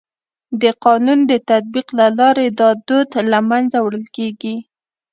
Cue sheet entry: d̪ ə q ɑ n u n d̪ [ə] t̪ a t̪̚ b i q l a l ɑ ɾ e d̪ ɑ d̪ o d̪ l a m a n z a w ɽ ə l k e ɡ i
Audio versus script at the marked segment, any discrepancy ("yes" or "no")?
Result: no